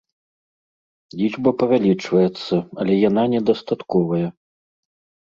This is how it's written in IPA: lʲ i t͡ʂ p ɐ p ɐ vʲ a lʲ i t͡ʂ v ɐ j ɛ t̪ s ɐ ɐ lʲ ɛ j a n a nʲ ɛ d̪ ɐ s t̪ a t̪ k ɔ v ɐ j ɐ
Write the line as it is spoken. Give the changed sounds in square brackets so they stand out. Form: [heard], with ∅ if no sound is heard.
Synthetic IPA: lʲ i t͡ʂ [b] ɐ p ɐ vʲ a lʲ i t͡ʂ v ɐ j ɛ t̪ [sː] ɐ ɐ lʲ ɛ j a n a nʲ ɛ d̪ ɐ s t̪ a t̪ k ɔ v ɐ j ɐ